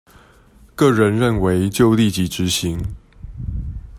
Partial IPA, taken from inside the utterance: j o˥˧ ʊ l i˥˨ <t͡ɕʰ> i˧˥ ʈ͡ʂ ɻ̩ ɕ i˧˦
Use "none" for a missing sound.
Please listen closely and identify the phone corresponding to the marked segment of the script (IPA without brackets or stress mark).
t͡ɕ